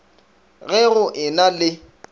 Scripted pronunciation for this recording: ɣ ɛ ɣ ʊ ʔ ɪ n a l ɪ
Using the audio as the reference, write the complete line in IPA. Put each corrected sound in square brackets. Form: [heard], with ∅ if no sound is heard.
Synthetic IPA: ɣ ɛ ɣ ʊ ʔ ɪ n a l ɪ